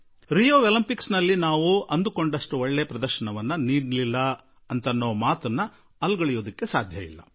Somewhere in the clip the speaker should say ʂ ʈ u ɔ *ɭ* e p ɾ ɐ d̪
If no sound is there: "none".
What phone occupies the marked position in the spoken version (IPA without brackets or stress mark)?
ɭː